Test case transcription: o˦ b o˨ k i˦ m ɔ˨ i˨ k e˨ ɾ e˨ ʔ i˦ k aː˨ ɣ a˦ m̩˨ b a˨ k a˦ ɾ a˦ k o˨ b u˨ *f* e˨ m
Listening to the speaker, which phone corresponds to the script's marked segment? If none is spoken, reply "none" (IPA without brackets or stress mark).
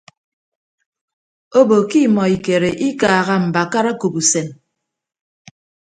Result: s